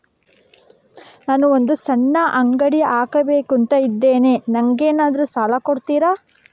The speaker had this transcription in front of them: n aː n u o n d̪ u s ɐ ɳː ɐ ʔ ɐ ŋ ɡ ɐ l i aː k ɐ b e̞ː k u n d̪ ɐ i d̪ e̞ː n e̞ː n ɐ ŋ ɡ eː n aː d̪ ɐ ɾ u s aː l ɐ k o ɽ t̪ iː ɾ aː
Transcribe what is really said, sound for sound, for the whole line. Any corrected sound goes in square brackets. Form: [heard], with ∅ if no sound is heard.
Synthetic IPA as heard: n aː n u o n d̪ u s ɐ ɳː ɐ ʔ ɐ ŋ ɡ ɐ [ɽ] i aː k ɐ b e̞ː k u n [t̪] ɐ i [d̪ː] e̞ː n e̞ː n ɐ ŋ ɡ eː n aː d̪ ɐ ɾ u s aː l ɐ k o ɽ t̪ iː ɾ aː